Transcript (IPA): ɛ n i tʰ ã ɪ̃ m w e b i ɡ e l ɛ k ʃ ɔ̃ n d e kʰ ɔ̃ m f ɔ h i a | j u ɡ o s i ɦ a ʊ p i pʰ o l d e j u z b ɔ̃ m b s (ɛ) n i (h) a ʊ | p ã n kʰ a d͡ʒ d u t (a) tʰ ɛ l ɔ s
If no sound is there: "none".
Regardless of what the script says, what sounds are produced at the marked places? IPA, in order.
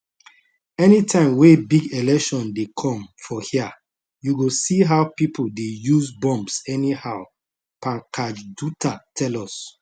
ɛ, h, a

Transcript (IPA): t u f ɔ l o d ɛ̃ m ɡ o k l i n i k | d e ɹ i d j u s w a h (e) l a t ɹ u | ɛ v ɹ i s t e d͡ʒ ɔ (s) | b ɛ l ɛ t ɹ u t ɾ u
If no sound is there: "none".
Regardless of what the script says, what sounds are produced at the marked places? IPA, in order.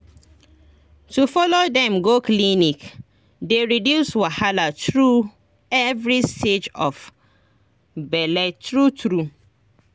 a, f

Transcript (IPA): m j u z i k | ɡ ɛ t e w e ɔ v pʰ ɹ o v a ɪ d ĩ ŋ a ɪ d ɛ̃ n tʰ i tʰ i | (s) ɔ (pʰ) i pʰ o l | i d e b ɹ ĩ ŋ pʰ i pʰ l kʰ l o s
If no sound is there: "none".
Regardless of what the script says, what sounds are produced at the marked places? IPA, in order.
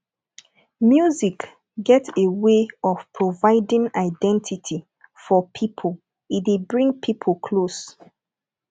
f, pʰ

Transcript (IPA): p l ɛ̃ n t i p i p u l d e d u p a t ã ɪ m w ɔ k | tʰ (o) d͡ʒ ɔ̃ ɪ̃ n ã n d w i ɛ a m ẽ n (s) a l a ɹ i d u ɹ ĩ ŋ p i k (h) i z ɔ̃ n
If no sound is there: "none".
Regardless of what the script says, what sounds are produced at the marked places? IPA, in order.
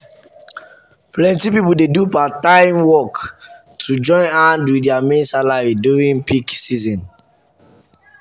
u, s, s

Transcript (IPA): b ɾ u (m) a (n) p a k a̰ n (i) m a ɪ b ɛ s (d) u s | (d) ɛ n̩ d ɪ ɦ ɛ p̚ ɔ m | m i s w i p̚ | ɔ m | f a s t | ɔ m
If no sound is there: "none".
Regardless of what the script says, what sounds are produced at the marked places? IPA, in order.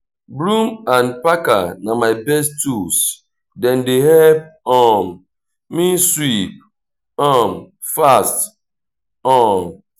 m, n, a, t, d

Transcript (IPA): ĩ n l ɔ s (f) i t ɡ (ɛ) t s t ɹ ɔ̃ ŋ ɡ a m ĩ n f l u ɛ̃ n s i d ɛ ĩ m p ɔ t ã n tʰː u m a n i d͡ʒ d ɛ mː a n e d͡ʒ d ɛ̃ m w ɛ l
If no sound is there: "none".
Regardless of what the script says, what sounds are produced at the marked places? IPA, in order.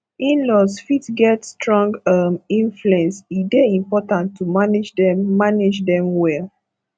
f, ɛ

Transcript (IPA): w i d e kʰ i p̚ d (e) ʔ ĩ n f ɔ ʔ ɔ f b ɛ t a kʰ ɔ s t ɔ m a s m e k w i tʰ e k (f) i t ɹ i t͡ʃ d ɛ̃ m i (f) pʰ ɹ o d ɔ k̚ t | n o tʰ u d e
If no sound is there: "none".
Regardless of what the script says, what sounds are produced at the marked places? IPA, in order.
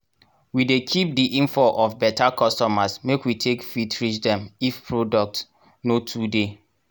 i, f, f

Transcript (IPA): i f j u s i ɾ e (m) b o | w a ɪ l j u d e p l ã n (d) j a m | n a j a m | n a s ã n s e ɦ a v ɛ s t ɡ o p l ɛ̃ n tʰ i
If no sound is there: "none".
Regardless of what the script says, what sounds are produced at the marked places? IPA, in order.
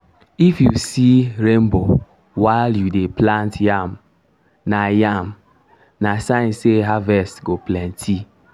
m, t

